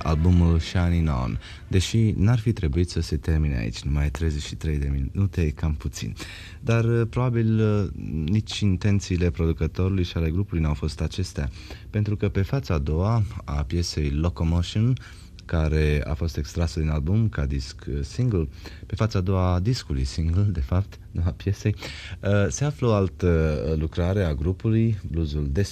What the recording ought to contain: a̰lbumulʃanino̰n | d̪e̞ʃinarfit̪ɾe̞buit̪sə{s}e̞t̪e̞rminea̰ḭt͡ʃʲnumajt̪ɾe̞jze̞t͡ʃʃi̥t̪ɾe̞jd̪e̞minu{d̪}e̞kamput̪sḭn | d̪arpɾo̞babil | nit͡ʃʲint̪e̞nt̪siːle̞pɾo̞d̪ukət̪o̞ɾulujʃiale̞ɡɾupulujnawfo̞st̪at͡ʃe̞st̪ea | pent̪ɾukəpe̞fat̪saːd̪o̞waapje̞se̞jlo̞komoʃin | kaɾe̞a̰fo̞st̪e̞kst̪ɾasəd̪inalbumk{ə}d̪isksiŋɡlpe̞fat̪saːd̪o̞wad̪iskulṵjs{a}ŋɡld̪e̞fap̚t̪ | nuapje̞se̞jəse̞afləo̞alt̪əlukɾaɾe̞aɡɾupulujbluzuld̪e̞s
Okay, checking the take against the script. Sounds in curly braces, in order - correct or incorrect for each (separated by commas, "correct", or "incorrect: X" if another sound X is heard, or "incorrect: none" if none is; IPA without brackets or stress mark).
correct, incorrect: t̪, incorrect: a, incorrect: i